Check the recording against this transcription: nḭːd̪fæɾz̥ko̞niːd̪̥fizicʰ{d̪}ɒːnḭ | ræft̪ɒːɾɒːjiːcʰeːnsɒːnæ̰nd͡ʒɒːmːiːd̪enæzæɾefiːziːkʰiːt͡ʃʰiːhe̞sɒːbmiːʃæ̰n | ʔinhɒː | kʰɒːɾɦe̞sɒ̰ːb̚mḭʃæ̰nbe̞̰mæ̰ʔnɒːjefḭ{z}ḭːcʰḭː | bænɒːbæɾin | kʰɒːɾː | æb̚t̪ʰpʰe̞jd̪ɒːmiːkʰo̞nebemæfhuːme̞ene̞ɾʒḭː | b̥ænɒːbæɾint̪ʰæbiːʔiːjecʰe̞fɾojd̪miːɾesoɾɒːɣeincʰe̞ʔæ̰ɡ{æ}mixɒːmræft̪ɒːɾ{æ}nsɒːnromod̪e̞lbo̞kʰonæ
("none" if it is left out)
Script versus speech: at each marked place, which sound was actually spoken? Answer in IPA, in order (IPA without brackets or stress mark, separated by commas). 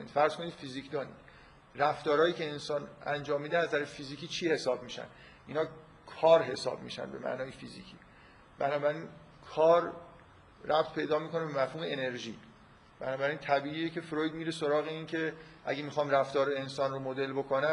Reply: d̪, z, e, e